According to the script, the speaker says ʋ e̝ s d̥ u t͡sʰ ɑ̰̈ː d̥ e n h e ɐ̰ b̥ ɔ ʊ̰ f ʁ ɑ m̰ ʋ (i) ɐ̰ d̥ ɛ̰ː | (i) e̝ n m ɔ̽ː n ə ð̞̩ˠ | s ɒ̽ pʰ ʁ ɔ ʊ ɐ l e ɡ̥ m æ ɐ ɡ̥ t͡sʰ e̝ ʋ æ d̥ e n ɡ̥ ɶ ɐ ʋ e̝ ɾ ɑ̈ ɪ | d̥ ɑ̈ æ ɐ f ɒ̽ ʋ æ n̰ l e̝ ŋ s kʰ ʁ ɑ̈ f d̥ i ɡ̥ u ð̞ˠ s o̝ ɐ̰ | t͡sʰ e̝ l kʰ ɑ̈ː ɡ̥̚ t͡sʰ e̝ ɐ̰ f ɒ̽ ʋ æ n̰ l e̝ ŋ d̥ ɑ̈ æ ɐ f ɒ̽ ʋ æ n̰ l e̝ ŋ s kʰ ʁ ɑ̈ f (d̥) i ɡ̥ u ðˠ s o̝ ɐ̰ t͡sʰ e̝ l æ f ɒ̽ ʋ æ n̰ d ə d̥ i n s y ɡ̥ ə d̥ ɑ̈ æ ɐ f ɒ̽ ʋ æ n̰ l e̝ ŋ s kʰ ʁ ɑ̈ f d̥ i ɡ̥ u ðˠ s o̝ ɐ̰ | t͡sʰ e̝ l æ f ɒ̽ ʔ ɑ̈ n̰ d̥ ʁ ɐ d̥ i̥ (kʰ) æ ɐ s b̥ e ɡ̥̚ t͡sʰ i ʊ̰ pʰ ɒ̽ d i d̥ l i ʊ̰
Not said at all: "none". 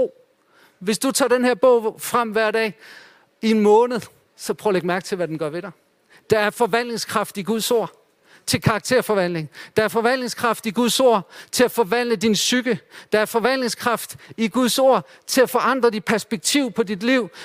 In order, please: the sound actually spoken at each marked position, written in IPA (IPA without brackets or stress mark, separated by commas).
æ, i, d̥, pʰ